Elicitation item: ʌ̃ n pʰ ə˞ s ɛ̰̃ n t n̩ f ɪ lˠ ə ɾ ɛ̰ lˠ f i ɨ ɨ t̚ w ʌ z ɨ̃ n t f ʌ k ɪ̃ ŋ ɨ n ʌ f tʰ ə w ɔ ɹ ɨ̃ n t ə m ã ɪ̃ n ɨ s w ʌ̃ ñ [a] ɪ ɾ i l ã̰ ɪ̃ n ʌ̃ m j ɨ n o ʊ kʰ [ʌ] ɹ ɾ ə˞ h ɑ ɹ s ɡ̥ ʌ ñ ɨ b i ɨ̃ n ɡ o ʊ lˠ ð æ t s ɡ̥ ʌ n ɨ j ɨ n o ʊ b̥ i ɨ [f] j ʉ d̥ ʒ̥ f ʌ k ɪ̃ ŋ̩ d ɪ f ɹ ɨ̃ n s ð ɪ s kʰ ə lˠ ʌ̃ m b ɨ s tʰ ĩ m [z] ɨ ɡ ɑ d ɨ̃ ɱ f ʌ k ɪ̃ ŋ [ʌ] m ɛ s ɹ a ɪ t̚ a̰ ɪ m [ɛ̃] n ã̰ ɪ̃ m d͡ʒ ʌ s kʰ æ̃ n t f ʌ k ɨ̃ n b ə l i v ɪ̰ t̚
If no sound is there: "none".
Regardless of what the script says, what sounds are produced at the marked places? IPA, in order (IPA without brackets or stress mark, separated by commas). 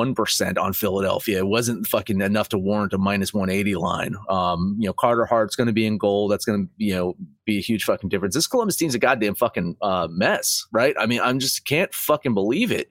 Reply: e, ɑ, h, z, ʌ, ĩ